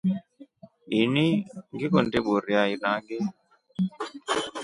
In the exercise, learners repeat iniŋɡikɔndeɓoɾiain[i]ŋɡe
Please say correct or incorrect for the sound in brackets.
incorrect